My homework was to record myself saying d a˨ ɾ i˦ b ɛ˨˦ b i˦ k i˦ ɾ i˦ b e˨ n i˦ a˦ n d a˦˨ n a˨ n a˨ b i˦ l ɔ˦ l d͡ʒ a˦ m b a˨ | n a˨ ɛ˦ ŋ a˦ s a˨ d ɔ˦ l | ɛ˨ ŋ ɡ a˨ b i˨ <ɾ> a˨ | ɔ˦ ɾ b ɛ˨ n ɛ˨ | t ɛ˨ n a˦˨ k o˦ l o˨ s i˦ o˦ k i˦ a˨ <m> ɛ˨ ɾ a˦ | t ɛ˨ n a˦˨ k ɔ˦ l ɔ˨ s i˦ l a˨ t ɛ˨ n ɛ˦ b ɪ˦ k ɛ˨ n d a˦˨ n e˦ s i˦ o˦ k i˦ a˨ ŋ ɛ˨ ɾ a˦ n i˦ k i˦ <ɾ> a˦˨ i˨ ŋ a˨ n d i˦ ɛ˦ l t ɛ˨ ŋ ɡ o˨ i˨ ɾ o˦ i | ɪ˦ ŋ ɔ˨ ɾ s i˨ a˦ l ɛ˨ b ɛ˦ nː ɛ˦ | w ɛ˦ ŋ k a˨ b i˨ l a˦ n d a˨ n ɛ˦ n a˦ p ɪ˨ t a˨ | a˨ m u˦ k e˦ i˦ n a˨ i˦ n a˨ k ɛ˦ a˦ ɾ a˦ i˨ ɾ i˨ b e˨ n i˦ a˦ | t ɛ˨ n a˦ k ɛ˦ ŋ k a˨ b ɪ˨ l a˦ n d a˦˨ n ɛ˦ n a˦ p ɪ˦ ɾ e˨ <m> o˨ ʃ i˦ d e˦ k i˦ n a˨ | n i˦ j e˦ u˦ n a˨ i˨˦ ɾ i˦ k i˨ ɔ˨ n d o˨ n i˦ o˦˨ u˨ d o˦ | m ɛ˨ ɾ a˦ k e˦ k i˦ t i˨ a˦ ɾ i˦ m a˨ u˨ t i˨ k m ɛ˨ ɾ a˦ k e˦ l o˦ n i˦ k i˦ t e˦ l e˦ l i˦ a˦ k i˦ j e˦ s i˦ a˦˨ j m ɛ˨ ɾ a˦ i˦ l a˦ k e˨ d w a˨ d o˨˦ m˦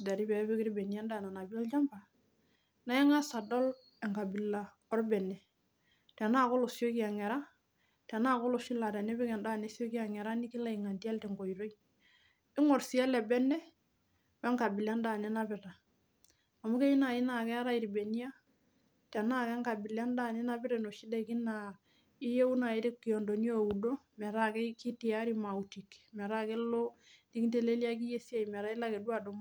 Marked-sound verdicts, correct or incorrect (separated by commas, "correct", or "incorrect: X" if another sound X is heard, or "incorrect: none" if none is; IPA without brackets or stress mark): incorrect: l, incorrect: ŋ, incorrect: l, incorrect: n